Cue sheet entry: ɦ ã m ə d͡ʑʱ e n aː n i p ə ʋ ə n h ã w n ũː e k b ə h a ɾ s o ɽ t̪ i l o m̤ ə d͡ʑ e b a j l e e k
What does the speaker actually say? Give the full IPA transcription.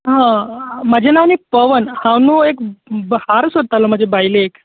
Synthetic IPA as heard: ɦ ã m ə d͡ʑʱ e n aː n i p ə ʋ ə n h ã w n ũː e k b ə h a ɾ s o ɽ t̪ a l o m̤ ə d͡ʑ e b a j l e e k